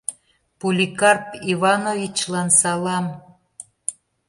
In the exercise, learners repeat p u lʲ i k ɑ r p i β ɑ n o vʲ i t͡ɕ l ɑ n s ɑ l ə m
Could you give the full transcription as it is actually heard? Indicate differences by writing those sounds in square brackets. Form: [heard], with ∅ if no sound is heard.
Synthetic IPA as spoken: p u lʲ i k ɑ r p i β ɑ n o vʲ i t͡ɕ l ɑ n s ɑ l [ɑ] m

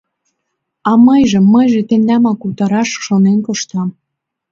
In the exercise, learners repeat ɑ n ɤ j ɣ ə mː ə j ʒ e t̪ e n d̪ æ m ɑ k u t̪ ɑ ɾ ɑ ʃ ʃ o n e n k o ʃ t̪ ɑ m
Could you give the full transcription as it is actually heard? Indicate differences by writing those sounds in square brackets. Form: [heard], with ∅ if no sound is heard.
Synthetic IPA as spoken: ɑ [m] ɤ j [ʒ] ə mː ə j ʒ e t̪ e n d̪ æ m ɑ k u t̪ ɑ ɾ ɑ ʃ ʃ o n e n k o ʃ t̪ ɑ m

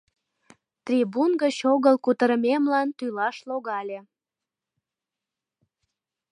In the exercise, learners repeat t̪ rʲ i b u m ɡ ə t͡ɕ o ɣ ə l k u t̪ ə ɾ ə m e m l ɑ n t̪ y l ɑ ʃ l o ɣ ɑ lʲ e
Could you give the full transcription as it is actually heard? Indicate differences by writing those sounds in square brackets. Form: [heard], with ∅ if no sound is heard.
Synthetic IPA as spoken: t̪ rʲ i b u [n] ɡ ə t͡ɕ o ɣ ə l k u t̪ ə ɾ ə m e m l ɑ n t̪ y l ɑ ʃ l o ɣ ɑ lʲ e

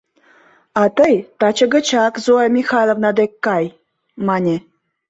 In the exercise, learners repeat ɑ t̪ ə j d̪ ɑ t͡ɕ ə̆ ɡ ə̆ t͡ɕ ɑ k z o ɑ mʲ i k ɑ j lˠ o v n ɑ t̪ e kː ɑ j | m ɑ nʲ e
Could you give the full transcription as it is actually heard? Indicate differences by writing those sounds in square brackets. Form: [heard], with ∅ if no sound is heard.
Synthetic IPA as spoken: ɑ t̪ ə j [t̪] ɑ t͡ɕ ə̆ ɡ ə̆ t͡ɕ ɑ k z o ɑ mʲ i [x] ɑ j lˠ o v n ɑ [d̪] e kː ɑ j | m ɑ nʲ e

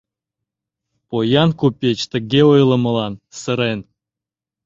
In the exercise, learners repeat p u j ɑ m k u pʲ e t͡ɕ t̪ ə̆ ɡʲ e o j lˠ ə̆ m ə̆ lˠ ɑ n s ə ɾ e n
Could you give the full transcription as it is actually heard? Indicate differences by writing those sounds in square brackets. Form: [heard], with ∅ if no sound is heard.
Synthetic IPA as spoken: p [o] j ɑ [n] k u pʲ e t͡ɕ t̪ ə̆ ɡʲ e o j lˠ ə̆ m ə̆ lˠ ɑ n s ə ɾ e n

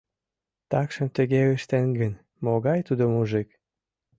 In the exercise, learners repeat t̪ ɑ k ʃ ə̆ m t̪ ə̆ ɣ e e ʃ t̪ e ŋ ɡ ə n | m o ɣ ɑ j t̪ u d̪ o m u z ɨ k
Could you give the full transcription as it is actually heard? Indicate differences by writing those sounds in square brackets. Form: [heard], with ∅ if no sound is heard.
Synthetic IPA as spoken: t̪ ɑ k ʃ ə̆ m t̪ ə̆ ɣ e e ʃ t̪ e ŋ ɡ ə n | m o ɣ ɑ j t̪ u d̪ o m u [ʒ] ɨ k

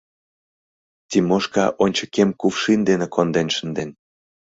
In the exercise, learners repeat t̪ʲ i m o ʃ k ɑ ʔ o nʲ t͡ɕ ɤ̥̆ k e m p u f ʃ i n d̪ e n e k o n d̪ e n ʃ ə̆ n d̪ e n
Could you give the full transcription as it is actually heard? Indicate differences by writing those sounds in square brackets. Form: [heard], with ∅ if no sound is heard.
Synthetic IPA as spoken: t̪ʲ i m o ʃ k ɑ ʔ o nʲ t͡ɕ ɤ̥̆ k e m [k] u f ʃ i n d̪ e n e k o n d̪ e n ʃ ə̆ n d̪ e n

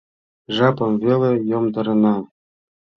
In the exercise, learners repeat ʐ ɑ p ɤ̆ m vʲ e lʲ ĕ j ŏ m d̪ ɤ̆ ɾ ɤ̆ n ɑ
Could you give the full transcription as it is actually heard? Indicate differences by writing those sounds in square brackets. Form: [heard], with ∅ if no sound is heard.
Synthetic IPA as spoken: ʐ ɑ p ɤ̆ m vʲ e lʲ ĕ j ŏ m d̪ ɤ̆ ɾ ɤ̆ n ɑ

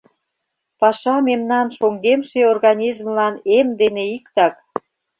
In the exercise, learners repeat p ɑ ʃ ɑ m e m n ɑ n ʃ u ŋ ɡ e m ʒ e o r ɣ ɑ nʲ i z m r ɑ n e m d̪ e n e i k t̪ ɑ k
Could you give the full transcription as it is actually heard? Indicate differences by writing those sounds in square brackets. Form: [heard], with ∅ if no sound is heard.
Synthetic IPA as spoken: p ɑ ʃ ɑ m e m n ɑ n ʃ [o] ŋ ɡ e m [ʃ] e o r ɣ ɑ nʲ i z m [l] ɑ n e m d̪ e n e i k t̪ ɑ k

